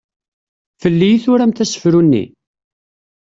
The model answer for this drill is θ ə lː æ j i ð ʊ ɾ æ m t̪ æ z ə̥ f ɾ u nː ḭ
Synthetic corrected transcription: f ə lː i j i θ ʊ ɾ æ m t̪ æ s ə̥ f ɾ u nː ḭ